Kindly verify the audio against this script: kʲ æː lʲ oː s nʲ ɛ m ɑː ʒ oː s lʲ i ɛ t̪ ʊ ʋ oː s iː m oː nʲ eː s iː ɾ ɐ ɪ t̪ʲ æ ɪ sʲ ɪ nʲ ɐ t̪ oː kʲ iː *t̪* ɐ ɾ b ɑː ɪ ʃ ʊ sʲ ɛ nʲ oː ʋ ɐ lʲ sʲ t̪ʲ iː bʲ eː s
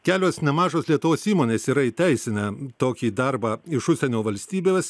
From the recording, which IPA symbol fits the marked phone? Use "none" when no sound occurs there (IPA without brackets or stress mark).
d̪